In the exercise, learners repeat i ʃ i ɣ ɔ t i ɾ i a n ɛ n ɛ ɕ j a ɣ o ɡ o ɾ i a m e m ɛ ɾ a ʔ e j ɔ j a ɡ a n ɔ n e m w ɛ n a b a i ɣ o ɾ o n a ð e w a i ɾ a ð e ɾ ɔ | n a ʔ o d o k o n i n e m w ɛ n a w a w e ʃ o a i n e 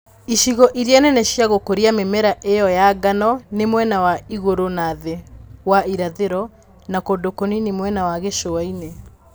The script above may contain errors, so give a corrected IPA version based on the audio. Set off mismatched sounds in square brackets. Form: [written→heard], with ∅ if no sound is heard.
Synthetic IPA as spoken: i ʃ i ɣ ɔ [t→ʔ] i ɾ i a n ɛ n ɛ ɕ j a ɣ o [ɡ→k] o ɾ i a m e m ɛ ɾ a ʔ e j ɔ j a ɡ a n ɔ n e m w ɛ n a [b→w] a i ɣ o ɾ o n a ð e w a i ɾ a ð e ɾ ɔ | n a [ʔ→k] o d o k o n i n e m w ɛ n a w a [w→ɣ] e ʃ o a i n e

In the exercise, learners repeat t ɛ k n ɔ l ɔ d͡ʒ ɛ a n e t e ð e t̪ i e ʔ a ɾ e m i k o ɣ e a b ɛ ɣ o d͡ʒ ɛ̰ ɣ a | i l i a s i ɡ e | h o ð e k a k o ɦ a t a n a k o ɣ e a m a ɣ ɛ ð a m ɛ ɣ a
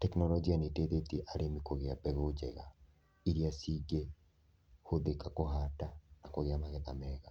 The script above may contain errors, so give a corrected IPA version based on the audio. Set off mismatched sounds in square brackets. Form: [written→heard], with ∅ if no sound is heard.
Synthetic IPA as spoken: t ɛ k n ɔ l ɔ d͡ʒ [ɛ→i] a n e t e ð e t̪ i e ʔ a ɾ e m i k o ɣ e a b ɛ ɣ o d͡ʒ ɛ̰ ɣ a | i [l→ɾ] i a s i ɡ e | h o ð e k a k o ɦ a t a n a k o ɣ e a m a ɣ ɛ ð a m ɛ ɣ a

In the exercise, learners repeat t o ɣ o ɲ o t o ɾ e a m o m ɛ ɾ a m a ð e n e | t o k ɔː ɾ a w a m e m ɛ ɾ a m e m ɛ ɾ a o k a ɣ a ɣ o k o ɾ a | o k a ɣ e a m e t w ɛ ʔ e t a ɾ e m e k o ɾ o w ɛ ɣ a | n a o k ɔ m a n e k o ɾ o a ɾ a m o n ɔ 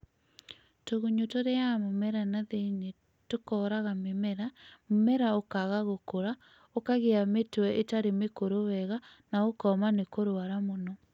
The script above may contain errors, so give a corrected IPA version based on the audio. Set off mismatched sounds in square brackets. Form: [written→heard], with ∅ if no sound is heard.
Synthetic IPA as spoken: t o ɣ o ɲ o t o ɾ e a m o m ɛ ɾ a [m→n] a ð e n e | t o k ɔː ɾ a [w→ɣ] a m e m ɛ ɾ a m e m ɛ ɾ a o k a ɣ a ɣ o k o ɾ a | o k a ɣ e a m e t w ɛ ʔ e t a ɾ e m e k o ɾ o w ɛ ɣ a | n a o k ɔ m a n e k o ɾ o a ɾ a m o n ɔ

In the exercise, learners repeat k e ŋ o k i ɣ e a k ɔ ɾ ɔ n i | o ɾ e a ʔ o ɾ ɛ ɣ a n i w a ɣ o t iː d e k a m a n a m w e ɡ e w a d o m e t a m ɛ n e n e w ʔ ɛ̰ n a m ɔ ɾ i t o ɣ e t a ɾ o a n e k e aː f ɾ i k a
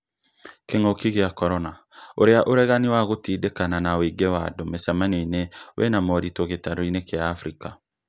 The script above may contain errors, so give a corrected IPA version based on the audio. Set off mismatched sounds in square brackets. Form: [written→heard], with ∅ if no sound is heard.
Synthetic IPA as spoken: k e ŋ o k i ɣ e a k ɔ ɾ ɔ n [i→a] | o ɾ e a ʔ o ɾ ɛ ɣ a n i w a ɣ o t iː d e k a [m→n] a n a [m→∅] w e ɡ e w a d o m e [t→s] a m [ɛ→a] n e n e w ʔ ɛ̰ n a m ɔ ɾ i t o ɣ e t a ɾ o [a→i] n e k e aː f ɾ i k a

